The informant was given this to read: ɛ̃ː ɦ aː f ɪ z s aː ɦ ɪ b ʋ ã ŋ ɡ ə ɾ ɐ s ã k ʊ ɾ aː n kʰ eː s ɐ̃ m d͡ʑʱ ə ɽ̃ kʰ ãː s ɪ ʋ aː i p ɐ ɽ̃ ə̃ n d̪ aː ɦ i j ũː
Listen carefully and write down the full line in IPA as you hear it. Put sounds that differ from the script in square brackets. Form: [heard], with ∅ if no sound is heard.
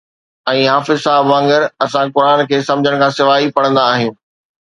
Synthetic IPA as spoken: ɛ̃ː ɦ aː f ɪ z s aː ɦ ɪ b ʋ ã ŋ ɡ ə ɾ ɐ s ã k ʊ ɾ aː n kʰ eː s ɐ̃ m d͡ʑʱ ə ɽ̃ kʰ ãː s ɪ ʋ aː i p ɐ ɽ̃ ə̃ n d̪ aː ɦ i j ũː